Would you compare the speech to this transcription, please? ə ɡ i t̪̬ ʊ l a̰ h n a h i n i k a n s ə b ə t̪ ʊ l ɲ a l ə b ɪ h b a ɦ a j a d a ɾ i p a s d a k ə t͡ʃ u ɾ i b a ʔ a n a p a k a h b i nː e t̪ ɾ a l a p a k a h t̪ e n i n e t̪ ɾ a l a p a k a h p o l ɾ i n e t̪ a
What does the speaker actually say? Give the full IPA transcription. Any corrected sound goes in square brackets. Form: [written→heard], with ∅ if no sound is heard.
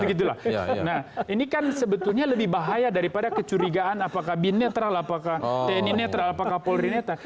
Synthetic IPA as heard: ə ɡ i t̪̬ [ʊ→u] l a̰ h n a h i n i k a n s ə b ə t̪ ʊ l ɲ a l ə b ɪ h b a ɦ a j a d a ɾ i p a [s→∅] d a k ə t͡ʃ u ɾ i [b→ɡ] a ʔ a n a p a k a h b i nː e t̪ ɾ a l a p a k a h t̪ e n i n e t̪ ɾ a l a p a k a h p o l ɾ i n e t̪ a

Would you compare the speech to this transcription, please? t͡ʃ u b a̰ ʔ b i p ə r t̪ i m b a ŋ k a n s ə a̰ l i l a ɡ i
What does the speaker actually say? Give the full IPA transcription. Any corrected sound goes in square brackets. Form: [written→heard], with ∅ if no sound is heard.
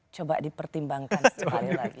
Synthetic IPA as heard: t͡ʃ [u→o] b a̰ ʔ [b→d] i p ə r t̪ i m b a ŋ k a n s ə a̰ l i l a ɡ i

